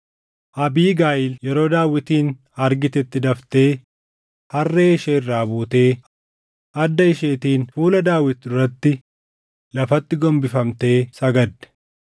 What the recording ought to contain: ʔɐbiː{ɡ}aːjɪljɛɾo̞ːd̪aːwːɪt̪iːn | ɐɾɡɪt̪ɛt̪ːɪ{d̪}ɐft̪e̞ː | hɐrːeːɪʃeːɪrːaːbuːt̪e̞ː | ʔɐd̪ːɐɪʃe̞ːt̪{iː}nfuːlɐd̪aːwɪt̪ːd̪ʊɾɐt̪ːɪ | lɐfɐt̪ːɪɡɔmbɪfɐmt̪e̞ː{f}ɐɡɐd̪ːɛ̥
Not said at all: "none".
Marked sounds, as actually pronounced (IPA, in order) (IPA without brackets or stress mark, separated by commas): ɡ, d̪, iː, s